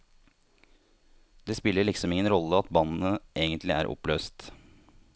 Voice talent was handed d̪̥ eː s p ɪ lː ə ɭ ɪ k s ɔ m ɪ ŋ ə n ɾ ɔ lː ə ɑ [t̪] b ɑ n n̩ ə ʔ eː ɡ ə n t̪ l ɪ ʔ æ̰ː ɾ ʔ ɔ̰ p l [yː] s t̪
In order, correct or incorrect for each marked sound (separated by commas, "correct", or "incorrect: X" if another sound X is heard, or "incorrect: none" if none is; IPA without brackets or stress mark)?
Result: correct, incorrect: øː